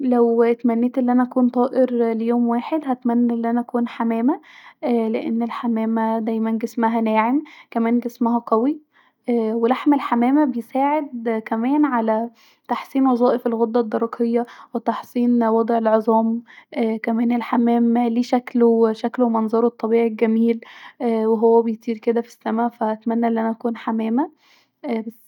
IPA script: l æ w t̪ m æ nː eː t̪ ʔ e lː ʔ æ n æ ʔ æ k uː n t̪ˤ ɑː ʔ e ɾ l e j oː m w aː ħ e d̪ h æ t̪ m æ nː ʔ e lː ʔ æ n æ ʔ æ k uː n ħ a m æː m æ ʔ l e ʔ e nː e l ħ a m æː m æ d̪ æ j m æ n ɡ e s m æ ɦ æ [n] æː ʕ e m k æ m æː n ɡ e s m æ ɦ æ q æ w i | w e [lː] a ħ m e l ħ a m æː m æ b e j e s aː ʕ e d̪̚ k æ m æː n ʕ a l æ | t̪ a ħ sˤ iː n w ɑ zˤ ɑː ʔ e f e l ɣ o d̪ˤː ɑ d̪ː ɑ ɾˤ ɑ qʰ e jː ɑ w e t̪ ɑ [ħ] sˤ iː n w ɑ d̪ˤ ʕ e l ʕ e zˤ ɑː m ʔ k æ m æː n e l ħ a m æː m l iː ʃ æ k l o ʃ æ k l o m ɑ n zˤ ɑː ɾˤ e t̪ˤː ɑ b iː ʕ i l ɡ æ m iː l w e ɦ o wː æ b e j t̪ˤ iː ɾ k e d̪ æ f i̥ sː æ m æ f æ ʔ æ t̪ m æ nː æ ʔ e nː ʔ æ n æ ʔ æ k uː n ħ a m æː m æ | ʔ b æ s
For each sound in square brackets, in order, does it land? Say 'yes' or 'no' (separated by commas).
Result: yes, no, yes